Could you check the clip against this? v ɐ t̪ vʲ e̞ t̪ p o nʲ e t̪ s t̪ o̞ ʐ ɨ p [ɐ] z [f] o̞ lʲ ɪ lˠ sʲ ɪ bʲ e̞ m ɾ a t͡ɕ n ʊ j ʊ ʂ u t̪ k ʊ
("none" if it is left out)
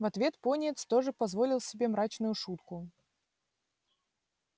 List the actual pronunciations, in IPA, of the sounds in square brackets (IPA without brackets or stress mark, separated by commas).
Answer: ɐ, v